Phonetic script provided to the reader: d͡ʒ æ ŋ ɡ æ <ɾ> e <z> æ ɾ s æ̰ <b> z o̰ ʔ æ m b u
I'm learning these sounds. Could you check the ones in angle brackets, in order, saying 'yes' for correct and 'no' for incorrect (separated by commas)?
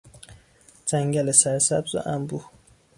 no, no, yes